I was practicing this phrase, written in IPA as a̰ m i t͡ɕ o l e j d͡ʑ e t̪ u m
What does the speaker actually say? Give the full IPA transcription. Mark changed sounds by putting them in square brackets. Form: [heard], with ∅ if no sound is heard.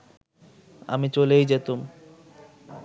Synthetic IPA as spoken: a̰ m i t͡ɕ o l e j d͡ʑ e t̪ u m

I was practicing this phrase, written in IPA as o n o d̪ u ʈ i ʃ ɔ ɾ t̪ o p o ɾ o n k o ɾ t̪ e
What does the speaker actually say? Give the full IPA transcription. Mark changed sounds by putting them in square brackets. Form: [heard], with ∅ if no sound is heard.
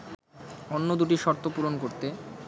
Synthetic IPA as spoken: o [nː] o d̪ u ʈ i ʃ ɔ ɾ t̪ o p [u] ɾ o n k o ɾ t̪ e

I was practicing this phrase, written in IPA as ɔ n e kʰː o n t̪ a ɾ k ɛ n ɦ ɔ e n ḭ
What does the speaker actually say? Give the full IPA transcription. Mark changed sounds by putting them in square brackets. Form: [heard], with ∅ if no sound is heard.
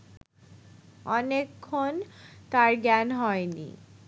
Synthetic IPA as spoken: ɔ n e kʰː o n t̪ a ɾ [ɡ] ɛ n ɦ ɔ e n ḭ

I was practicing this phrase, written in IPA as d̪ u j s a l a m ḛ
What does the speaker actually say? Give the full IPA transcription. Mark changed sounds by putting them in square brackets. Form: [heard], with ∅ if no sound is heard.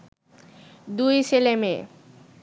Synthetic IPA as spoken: d̪ u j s [e] l [e] m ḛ

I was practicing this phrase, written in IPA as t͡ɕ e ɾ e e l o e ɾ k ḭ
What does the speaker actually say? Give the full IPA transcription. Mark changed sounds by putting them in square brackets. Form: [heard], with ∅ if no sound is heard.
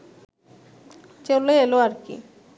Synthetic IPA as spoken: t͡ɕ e [l] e e l o [a] ɾ k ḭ

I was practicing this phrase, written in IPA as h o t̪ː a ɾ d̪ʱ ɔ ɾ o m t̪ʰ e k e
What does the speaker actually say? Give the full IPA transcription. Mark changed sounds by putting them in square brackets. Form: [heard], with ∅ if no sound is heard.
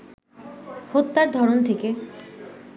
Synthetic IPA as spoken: h o t̪ː a ɾ d̪ʱ ɔ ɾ o [n] t̪ʰ e k e

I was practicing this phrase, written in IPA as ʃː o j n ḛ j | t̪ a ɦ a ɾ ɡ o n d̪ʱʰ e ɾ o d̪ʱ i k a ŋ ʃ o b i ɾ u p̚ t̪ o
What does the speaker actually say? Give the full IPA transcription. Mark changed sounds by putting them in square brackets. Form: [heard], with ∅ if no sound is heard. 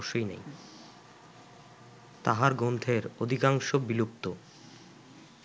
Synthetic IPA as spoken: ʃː o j n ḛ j | t̪ a ɦ a ɾ ɡ o n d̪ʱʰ e ɾ o d̪ʱ i k a ŋ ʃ o b i [l] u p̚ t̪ o

